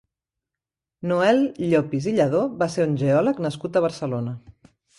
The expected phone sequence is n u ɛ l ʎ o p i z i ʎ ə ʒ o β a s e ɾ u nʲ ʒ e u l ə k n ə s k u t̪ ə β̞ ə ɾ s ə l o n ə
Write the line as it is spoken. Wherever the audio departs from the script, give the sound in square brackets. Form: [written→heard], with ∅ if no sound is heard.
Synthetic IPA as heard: n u ɛ l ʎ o p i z i ʎ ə [ʒ→ð] o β a s e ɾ u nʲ ʒ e [u→ɔ] l ə k n ə s k u t̪ ə β̞ ə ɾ s ə l o n ə